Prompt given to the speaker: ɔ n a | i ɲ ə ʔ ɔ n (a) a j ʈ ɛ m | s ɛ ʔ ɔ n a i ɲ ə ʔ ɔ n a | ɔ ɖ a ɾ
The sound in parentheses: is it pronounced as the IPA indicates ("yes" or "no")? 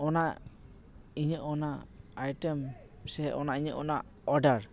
yes